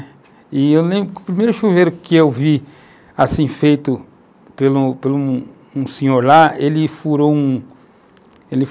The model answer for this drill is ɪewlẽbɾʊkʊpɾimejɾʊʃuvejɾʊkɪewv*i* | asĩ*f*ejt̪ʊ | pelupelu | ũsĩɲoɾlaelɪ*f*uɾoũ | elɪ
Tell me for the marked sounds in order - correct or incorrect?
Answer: correct, correct, correct

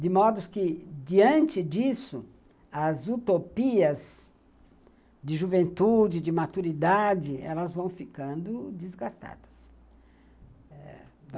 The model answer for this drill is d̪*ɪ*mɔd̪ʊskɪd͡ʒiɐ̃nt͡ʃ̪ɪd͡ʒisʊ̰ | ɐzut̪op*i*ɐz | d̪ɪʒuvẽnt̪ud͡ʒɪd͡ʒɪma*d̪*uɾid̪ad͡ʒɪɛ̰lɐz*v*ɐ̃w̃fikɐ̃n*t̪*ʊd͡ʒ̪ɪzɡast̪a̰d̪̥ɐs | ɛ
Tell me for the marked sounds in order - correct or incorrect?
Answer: correct, correct, incorrect, correct, incorrect

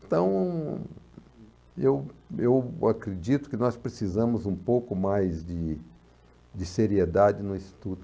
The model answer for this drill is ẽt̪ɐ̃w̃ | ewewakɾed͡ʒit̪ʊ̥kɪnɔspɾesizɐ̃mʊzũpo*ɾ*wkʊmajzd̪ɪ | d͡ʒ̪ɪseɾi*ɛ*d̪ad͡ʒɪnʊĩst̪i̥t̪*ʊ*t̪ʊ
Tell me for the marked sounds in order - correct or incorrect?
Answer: incorrect, incorrect, incorrect

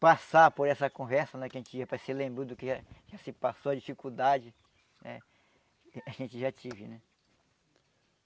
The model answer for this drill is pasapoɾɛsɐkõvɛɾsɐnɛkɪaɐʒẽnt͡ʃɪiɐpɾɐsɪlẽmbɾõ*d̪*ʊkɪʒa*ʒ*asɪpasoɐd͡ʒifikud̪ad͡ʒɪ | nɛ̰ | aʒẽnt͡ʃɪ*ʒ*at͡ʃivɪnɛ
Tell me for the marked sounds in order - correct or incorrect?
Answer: correct, correct, correct

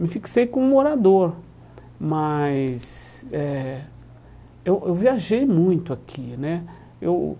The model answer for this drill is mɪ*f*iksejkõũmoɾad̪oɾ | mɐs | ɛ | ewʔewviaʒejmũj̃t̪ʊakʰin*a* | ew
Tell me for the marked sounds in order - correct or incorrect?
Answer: correct, incorrect

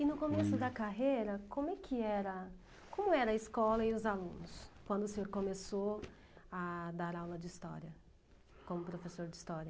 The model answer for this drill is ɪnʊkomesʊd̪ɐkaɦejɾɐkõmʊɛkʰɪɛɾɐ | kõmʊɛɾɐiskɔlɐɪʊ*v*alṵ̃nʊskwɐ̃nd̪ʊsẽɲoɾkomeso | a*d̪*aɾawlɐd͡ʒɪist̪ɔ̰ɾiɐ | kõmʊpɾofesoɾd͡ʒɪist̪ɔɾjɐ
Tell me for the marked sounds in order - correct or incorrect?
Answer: incorrect, correct

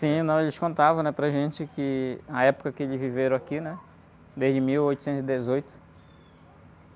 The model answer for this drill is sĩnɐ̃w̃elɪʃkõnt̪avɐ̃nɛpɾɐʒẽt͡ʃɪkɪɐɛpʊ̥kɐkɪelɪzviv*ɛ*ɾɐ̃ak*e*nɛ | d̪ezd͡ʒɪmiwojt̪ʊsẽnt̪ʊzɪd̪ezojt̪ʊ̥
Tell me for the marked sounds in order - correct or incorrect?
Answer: incorrect, incorrect

